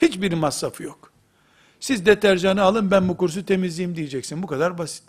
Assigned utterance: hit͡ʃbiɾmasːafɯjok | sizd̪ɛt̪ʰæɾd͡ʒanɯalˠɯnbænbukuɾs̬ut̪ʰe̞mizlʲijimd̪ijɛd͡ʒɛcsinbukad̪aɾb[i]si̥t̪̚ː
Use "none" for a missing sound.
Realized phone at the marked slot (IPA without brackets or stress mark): a